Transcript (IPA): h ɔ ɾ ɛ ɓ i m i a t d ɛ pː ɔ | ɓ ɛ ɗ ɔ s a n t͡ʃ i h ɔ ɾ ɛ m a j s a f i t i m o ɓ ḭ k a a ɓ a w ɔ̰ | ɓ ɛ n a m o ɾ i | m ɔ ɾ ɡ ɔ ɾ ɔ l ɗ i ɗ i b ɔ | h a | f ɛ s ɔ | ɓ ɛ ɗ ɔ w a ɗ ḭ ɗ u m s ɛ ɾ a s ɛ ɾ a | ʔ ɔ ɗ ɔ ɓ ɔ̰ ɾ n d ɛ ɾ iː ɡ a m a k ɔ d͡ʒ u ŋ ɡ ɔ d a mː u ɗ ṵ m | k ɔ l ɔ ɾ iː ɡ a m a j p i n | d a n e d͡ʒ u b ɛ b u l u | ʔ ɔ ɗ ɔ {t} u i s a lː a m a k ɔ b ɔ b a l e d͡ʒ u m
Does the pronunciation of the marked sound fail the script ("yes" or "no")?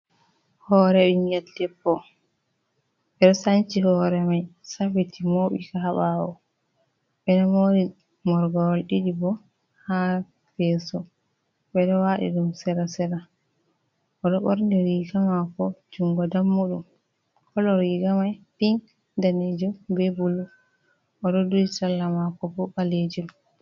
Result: yes